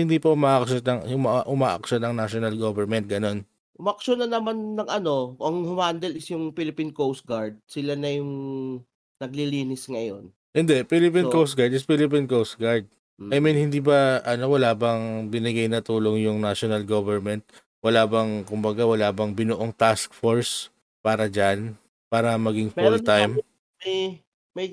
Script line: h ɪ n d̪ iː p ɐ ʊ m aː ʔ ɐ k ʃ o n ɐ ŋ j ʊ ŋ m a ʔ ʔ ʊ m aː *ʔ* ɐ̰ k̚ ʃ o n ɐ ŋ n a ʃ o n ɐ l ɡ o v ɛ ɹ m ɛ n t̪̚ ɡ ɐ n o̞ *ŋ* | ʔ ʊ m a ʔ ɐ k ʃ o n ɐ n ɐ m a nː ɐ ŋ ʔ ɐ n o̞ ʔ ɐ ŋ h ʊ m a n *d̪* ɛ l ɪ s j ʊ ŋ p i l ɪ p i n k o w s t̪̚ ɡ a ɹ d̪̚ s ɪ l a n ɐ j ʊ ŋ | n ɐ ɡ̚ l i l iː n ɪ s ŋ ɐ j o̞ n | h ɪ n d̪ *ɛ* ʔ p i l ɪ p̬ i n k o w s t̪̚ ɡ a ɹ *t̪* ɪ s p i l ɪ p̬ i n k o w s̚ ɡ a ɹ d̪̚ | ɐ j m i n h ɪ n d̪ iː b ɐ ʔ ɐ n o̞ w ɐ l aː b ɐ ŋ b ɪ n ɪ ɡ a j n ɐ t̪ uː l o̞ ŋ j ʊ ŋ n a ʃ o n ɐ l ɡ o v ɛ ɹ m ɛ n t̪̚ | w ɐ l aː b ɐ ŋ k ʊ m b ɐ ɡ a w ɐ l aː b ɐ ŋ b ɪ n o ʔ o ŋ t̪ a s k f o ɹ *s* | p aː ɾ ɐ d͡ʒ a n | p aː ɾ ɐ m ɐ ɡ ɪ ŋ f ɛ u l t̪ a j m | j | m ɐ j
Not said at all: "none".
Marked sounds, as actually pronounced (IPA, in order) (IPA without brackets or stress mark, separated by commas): ʔ, n, d̪, ɛ, d̪, s